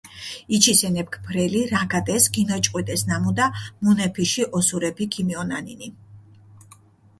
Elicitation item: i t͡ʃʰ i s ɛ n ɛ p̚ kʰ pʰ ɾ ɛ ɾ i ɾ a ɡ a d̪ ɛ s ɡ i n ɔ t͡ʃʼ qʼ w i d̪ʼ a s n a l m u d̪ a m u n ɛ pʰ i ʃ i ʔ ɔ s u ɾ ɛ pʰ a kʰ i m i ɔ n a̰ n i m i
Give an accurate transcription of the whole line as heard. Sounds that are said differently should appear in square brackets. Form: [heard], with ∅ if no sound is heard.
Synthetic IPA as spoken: i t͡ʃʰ i s ɛ n ɛ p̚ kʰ pʰ ɾ ɛ [l] i ɾ a ɡ a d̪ ɛ s ɡ i n ɔ t͡ʃʼ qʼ w i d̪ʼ [ɛ] s n a [∅] m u d̪ a m u n ɛ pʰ i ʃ i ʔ ɔ s u ɾ ɛ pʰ [i] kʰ i m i ɔ n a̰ n i [n] i